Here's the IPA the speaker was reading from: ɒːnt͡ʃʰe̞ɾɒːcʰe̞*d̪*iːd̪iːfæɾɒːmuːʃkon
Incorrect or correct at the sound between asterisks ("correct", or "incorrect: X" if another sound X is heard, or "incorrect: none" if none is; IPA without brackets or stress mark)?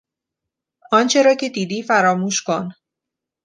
correct